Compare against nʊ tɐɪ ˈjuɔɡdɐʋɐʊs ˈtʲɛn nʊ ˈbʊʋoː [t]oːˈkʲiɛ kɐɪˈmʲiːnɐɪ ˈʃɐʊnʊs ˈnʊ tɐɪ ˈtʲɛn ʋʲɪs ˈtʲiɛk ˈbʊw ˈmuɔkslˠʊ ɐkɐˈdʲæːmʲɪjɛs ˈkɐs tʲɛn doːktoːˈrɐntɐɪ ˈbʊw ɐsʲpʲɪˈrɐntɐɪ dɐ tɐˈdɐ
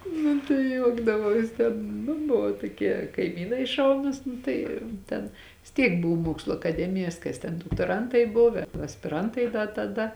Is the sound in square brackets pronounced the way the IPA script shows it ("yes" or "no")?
yes